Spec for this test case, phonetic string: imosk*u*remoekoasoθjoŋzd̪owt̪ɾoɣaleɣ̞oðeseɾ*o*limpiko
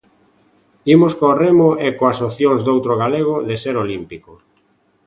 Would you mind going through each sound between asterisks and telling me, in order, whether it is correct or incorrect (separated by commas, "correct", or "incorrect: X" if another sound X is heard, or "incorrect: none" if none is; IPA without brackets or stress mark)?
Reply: incorrect: o, correct